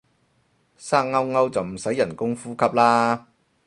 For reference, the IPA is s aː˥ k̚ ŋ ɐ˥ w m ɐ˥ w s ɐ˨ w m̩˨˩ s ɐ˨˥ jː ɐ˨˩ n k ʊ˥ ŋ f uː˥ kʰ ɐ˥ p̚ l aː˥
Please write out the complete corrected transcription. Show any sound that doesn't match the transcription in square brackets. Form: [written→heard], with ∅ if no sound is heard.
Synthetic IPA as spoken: s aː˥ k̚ ŋ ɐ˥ w [m→ŋ] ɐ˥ w [s→t͡s] ɐ˨ w m̩˨˩ s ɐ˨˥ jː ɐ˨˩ n k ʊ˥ ŋ f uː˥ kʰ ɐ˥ p̚ l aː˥